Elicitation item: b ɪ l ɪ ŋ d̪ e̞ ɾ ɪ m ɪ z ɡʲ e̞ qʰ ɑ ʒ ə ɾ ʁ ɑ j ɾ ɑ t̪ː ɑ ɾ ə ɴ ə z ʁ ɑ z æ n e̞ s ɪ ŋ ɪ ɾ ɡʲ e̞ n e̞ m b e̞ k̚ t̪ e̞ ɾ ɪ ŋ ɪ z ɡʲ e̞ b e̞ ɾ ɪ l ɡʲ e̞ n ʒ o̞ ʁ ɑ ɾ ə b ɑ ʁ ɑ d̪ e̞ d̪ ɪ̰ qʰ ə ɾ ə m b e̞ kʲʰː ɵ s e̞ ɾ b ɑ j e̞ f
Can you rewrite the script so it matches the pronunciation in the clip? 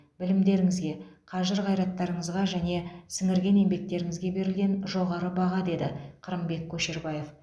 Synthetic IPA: b ɪ l ɪ m d̪ e̞ ɾ ɪ ŋ ɪ z ɡʲ e̞ qʰ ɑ ʒ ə ɾ ʁ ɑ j ɾ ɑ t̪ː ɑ ɾ ə ɴ ə z ʁ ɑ ʒ æ n e̞ s ɪ ŋ ɪ ɾ ɡʲ e̞ n e̞ m b e̞ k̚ t̪ e̞ ɾ ɪ ŋ ɪ z ɡʲ e̞ b e̞ ɾ ɪ l ɡʲ e̞ n ʒ o̞ ʁ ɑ ɾ ə b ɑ ʁ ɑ d̪ e̞ d̪ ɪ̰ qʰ ə ɾ ə m b e̞ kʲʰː ɵ ʃ e̞ ɾ b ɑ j e̞ f